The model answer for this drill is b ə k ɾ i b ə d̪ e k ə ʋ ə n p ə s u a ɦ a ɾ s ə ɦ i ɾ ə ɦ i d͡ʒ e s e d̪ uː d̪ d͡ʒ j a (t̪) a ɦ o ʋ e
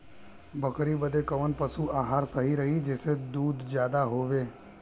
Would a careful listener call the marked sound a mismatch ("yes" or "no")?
yes